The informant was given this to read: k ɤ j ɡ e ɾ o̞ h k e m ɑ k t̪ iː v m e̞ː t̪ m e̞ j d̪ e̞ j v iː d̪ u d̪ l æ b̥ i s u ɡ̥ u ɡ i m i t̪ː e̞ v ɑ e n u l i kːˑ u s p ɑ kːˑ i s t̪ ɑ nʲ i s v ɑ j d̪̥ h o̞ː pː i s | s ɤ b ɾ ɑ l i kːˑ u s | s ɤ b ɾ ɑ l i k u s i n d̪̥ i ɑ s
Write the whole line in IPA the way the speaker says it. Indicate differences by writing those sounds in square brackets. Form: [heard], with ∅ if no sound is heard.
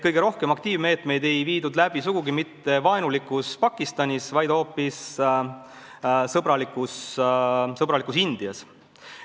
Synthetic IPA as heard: k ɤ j ɡ e ɾ o̞ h k e m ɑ k t̪ iː v m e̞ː t̪ m e̞ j d̪ e̞ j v iː d̪ u d̪ l æ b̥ i s u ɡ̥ u ɡ i m i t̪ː e̞ v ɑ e n u l i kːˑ u s p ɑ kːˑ i s t̪ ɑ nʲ i s v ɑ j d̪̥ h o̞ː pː i s | s ɤ b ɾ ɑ l i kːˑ u s | s ɤ b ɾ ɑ l i k u s i n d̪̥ i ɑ s

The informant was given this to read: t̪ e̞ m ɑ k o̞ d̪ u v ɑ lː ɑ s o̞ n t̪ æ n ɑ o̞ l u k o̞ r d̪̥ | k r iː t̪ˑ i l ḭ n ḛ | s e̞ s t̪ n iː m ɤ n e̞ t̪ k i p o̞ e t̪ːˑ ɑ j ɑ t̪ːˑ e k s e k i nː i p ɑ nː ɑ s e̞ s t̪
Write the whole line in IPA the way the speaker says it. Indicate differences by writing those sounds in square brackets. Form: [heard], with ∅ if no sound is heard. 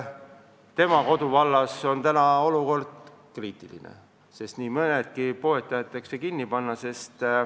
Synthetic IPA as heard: t̪ e̞ m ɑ k o̞ d̪ u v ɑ lː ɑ s o̞ n t̪ æ n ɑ o̞ l u k o̞ r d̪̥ | k r iː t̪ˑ i l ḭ n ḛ | s e̞ s t̪ n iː m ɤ n e̞ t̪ k i p o̞ e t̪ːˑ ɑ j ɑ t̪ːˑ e k s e k i nː i p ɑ nː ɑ s e̞ s t̪

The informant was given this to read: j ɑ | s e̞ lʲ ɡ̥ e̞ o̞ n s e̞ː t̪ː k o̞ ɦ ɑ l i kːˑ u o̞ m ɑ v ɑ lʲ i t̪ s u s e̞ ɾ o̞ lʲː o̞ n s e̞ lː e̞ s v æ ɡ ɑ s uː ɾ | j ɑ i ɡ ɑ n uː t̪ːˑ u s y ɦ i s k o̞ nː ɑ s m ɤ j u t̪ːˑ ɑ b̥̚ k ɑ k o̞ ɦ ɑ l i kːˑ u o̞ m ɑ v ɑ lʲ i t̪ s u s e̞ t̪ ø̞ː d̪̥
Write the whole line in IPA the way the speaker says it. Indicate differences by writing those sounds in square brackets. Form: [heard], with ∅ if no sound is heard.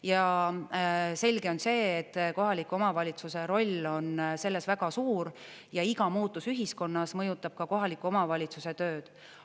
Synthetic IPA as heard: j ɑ | s e̞ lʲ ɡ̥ e̞ o̞ n s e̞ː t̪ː k o̞ ɦ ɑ l i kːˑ u o̞ m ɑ v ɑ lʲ i t̪ s u s e̞ ɾ o̞ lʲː o̞ n s e̞ lː e̞ s v æ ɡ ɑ s uː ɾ | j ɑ i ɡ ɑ [m] uː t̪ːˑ u s y ɦ i s k o̞ nː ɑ s m ɤ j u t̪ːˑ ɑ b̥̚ k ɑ k o̞ ɦ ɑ l i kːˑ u o̞ m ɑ v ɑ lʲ i t̪ s u s e̞ t̪ ø̞ː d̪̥

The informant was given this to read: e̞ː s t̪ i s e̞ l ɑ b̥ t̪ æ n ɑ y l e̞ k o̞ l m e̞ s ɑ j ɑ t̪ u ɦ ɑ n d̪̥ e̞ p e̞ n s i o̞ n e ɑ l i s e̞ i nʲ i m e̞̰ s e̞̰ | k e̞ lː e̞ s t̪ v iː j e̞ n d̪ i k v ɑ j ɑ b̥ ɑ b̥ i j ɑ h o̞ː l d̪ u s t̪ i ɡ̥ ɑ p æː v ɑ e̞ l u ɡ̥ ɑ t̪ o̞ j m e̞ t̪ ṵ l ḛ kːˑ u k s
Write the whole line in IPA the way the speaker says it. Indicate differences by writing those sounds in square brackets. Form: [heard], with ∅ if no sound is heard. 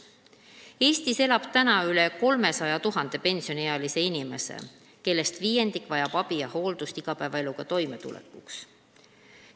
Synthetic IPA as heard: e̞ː s t̪ i s e̞ l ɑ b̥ t̪ æ n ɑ y l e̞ k o̞ l m e̞ s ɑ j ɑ t̪ u ɦ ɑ n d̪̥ e̞ p e̞ n s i o̞ n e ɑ l i s e̞ i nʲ i m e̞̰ s e̞̰ | k e̞ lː e̞ s t̪ v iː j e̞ n d̪ i k v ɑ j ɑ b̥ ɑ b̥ i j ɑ h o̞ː l d̪ u s t̪ i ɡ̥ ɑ p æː v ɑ e̞ l u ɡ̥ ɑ t̪ o̞ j m e̞ t̪ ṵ l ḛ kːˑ u k s

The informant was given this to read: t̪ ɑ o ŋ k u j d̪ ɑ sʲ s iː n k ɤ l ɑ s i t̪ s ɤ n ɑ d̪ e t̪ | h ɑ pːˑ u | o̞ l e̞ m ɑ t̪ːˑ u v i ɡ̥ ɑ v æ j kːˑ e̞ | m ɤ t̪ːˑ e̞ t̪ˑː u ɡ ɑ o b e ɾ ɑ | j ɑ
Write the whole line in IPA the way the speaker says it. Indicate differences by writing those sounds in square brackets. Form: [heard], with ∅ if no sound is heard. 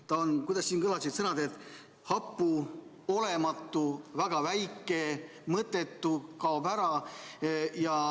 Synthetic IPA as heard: t̪ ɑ o [n] k u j d̪ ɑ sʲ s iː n k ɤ l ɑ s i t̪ s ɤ n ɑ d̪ e t̪ | h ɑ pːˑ u | o̞ l e̞ m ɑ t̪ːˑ u v [æ] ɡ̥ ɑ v æ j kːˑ e̞ | m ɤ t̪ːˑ e̞ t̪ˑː u [k] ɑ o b [æ] ɾ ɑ | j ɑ

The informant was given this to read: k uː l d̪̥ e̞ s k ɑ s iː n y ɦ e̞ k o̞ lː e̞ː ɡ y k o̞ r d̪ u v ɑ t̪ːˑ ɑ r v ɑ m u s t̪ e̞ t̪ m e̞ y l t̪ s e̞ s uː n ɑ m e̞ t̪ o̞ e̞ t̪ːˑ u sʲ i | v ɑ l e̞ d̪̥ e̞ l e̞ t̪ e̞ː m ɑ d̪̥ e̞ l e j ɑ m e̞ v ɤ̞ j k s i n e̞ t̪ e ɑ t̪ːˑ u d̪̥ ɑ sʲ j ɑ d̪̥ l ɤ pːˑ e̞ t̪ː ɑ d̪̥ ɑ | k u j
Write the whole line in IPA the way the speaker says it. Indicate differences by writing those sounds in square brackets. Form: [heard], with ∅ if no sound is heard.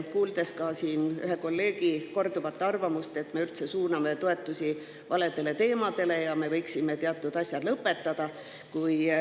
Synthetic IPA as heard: k uː l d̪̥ e̞ s k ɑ s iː n y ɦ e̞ k o̞ lː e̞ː ɡ [i] k o̞ r d̪ u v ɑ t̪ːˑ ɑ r v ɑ m u s t̪ e̞ t̪ m e̞ y l t̪ s e̞ s uː n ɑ m e̞ t̪ o̞ e̞ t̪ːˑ u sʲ i | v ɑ l e̞ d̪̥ e̞ l e̞ t̪ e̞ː m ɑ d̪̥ e̞ l e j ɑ m e̞ v ɤ̞ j k s i [m] e̞ t̪ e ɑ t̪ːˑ u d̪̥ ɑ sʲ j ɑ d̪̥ l ɤ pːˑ e̞ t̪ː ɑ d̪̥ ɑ | k u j

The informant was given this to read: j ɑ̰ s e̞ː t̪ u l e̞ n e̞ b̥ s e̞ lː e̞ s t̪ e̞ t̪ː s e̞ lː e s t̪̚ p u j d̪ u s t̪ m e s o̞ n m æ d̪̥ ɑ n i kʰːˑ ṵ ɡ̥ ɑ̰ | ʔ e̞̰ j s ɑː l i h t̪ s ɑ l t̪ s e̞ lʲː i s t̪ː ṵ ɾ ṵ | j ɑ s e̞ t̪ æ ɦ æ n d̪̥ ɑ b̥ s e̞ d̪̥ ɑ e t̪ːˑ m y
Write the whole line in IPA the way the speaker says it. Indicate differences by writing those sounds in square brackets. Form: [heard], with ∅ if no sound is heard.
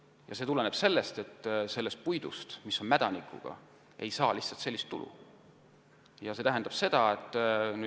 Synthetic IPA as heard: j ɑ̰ s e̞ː t̪ u l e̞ n e̞ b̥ s e̞ lː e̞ s t̪ e̞ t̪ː s e̞ lː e s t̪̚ p u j d̪ u s t̪ m [i] s o̞ n m æ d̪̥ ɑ n i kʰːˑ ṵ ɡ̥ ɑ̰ | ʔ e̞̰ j s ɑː l i h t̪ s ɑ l t̪ s e̞ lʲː i s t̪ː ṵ [l] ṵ | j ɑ s e̞ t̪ æ ɦ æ n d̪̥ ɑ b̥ s e̞ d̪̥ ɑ e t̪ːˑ [n] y

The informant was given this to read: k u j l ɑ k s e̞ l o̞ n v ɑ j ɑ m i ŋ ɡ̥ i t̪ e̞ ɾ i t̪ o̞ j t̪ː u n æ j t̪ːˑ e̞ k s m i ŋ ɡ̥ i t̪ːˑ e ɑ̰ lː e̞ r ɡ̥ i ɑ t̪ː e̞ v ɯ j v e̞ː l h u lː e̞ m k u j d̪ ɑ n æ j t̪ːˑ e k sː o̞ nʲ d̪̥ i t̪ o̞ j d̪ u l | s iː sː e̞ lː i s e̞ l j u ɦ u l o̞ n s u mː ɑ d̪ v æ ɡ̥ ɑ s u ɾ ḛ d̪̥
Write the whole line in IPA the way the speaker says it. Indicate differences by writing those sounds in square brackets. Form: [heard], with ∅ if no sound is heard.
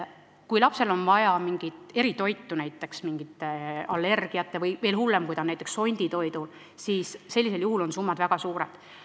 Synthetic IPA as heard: k u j l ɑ [p] s e̞ l o̞ n v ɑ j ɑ m i ŋ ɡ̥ i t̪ e̞ ɾ i t̪ o̞ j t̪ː u n æ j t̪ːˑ e̞ k s m i ŋ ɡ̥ i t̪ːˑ e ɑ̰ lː e̞ r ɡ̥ i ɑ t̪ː e̞ v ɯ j v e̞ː l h u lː e̞ m k u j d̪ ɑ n æ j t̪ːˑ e k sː o̞ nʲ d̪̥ i t̪ o̞ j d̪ u l | s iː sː e̞ lː i s e̞ l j u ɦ u l o̞ n s u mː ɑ d̪ v æ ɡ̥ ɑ s [uː] ɾ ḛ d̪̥

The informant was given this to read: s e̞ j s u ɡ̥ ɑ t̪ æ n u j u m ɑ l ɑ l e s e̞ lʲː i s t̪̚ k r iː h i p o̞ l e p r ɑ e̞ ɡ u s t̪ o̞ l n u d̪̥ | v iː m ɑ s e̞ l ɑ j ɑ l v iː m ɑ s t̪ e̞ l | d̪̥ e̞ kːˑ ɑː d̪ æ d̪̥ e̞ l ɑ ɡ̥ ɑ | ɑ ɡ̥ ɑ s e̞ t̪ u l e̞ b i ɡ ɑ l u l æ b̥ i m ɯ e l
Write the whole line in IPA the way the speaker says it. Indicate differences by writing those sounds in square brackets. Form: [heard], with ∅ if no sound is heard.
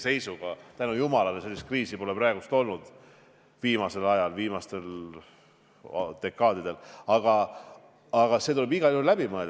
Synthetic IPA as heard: s e̞ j s u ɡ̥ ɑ t̪ æ n u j u m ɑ l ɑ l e s e̞ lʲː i s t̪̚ k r iː [s] i p o̞ l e p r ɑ e̞ ɡ u s t̪ o̞ l n u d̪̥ | v iː m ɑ s e̞ l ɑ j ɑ l v iː m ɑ s t̪ e̞ l | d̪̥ e̞ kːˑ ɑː d̪ [i] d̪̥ e̞ l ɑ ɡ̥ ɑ | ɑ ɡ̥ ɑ s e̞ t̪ u l e̞ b i ɡ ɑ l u l æ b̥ i m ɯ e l

